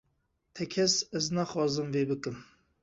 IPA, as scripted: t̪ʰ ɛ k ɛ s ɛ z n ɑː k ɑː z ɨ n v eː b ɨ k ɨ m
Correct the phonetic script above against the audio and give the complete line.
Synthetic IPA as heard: t̪ʰ ɛ kʰ ɛ s ɛ z n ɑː x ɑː z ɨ m v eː b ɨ k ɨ m